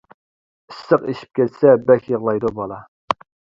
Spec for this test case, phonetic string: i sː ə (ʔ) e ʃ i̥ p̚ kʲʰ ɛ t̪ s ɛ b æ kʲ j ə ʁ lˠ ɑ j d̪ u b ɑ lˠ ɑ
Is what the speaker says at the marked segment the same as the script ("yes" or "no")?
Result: no